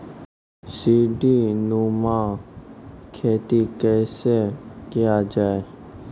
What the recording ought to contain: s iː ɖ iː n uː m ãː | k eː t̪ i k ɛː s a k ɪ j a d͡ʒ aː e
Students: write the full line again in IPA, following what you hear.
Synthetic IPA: s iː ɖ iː n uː m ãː | kʰ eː t̪ i k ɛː s e k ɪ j a d͡ʒ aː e